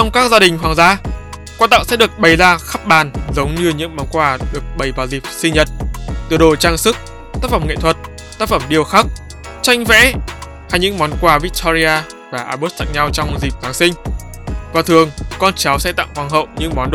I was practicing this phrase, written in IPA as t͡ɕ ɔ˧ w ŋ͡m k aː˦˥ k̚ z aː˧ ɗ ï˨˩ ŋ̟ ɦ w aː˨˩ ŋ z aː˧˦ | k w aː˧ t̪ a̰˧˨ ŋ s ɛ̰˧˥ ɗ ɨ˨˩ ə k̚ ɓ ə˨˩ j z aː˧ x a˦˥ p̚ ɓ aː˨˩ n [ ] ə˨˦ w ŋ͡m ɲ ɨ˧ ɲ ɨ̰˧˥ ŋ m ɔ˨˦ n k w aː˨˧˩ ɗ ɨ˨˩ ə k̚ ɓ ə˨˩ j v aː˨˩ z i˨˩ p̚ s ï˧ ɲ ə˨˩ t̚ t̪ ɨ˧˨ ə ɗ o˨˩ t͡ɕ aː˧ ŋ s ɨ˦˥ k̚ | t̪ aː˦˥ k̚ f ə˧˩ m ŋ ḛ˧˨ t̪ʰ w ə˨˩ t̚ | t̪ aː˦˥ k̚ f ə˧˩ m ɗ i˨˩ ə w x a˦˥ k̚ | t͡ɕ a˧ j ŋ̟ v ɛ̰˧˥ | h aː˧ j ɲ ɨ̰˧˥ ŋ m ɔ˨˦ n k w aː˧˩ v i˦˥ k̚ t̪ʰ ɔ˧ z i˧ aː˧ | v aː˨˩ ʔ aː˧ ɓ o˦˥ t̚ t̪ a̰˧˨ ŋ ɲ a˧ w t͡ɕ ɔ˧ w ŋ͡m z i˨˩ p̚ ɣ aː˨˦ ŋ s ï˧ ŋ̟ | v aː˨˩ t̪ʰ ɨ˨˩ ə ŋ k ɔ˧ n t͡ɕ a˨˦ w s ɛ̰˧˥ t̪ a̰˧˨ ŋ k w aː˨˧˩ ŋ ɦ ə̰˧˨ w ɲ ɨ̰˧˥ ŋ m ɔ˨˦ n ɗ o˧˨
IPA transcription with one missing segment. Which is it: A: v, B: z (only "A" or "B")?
B